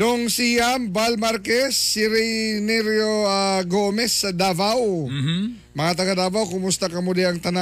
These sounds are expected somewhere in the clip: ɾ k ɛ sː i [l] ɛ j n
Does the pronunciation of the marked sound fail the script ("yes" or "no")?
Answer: yes